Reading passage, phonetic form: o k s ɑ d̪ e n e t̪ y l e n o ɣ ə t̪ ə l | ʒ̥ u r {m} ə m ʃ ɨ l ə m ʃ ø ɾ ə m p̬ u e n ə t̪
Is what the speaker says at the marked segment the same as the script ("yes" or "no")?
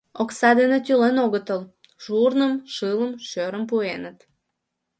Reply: no